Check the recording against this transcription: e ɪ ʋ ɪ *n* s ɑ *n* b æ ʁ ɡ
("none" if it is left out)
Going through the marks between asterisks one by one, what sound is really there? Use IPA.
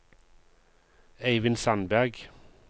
n, n

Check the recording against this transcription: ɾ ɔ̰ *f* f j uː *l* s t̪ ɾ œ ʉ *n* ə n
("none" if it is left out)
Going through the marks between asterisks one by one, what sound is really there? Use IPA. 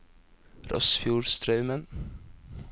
s, ɹ, m

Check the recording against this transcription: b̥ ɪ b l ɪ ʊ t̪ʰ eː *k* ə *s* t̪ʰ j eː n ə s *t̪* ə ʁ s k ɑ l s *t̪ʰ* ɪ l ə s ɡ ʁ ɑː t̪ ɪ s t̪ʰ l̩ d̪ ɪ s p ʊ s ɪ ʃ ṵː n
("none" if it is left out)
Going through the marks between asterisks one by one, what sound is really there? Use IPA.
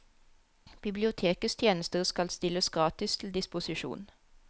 k, s, t̪, t̪

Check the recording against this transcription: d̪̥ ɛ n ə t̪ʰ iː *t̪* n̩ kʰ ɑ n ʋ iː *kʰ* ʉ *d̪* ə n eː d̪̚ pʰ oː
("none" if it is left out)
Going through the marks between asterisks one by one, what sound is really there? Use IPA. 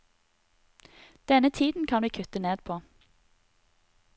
d̪, kʰ, t̪

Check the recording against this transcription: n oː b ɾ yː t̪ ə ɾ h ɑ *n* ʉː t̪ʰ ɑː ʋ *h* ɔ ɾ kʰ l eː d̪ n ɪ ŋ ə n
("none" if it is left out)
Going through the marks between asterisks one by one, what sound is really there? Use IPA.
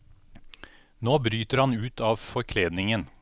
n, f

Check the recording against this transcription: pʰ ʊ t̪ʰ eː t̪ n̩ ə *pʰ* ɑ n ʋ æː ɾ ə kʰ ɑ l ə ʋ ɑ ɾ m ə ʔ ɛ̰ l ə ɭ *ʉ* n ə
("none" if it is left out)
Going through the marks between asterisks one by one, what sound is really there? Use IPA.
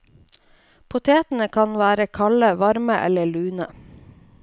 kʰ, ʉː

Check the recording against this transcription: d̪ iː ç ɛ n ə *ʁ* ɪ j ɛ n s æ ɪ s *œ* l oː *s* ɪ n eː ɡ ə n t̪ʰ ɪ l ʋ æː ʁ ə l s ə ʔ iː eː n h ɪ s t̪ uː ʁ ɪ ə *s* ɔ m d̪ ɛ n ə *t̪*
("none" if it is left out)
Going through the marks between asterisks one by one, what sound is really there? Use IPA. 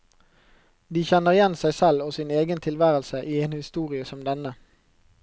ʁ, ɛ, s, s, none

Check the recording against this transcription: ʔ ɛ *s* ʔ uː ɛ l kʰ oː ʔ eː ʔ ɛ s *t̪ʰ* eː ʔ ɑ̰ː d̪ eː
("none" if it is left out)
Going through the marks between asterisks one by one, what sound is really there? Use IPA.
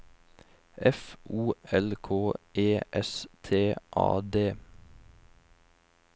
f, t̪ʰ

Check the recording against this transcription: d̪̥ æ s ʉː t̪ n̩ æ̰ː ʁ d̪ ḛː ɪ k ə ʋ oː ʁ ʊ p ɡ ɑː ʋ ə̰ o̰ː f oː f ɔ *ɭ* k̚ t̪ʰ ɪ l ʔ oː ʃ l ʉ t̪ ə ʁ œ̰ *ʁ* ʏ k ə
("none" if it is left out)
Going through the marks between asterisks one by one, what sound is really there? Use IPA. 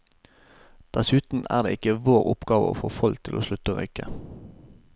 l, none

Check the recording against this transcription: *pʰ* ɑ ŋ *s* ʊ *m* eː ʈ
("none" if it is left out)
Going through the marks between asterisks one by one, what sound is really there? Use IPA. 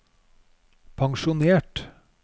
pʰ, ʃ, n

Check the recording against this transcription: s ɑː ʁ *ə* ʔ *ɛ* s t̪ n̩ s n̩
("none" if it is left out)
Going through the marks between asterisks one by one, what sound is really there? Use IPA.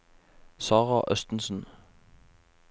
ɑ, œ

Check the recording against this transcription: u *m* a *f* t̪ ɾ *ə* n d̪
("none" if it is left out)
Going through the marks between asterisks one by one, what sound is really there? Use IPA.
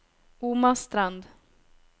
m, s, a

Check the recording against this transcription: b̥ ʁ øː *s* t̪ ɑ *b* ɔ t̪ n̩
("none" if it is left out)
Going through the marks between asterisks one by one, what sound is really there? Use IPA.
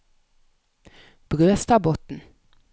s, b

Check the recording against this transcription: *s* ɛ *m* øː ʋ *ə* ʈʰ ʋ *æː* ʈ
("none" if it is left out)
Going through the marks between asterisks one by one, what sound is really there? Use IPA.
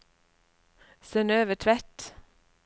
s, n, ə, æ

